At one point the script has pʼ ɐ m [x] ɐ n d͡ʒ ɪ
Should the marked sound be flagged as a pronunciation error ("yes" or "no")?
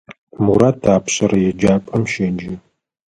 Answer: yes